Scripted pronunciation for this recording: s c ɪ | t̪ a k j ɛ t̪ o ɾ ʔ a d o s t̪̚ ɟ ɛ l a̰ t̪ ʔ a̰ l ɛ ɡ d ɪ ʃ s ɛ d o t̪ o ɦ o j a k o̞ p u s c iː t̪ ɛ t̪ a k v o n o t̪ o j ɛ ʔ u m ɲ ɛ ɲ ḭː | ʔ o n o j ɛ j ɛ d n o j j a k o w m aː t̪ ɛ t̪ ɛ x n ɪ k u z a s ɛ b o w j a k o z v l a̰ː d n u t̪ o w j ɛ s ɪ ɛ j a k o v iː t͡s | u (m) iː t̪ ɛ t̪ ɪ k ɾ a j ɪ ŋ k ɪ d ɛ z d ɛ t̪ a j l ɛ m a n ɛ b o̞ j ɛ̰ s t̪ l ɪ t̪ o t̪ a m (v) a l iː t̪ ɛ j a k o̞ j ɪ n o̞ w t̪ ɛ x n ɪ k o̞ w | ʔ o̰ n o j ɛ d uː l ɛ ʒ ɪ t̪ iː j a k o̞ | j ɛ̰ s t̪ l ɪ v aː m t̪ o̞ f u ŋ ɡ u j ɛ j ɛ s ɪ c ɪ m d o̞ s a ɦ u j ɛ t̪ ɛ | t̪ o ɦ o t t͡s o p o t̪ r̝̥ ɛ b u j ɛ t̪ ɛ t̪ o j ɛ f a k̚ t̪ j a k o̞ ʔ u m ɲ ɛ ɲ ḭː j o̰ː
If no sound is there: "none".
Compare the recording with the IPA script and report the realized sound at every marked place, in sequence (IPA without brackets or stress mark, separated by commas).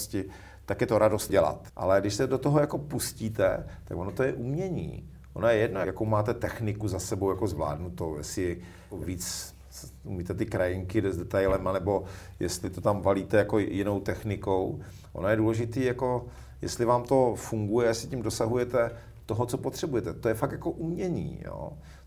m, v